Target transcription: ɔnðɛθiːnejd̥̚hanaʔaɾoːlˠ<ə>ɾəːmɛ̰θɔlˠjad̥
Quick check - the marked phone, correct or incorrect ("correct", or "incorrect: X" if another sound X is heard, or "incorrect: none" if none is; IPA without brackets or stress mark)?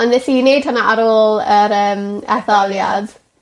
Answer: correct